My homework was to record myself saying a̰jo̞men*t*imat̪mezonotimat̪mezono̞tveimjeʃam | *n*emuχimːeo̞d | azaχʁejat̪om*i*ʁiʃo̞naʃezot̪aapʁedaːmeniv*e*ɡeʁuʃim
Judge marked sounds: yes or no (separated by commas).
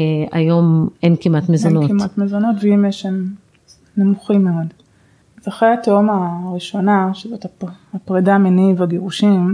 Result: no, yes, no, no